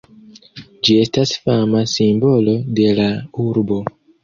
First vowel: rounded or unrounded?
unrounded